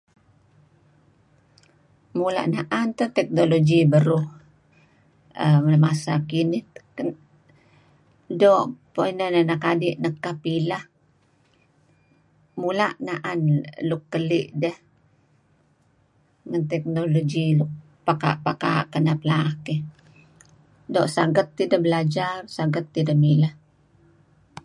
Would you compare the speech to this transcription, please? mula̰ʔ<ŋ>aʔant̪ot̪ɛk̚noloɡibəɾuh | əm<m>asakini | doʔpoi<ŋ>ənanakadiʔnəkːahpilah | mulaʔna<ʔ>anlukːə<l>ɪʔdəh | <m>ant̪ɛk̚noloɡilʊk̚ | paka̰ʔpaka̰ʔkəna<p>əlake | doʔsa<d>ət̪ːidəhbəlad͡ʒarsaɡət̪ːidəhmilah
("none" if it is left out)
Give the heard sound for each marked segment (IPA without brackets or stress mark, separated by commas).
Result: n, m, n, ʔ, l, ŋ, p, ɡ